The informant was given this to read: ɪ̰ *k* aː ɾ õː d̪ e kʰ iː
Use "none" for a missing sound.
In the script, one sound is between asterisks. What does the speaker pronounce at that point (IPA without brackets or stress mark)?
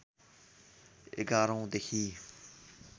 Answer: ɡ